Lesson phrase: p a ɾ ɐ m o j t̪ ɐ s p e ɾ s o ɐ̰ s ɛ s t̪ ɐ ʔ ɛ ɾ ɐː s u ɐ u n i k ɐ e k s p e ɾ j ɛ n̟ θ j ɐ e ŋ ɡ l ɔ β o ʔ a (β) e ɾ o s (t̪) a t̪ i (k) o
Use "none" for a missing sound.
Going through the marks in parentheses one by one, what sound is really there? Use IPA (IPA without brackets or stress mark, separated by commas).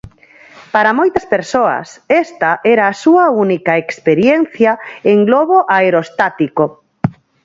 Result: none, t̪, k